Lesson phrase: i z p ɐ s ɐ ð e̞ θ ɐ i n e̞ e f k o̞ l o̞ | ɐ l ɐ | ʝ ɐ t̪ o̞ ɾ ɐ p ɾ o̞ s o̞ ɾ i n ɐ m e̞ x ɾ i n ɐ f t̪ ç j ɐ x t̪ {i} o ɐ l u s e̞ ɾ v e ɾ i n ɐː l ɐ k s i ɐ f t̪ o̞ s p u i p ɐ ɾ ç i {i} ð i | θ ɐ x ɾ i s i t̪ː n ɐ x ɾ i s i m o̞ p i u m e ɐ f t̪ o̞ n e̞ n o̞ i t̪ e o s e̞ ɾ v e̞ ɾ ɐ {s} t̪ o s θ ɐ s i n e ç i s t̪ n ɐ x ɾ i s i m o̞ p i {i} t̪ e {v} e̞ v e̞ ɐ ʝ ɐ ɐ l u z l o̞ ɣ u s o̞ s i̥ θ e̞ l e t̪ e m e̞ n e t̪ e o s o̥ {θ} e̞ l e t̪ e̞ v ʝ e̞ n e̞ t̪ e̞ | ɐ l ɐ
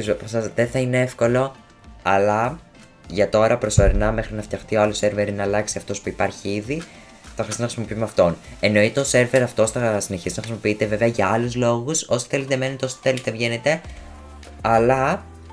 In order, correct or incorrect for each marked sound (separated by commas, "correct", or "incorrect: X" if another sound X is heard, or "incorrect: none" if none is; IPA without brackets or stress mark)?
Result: correct, correct, incorrect: f, correct, correct, correct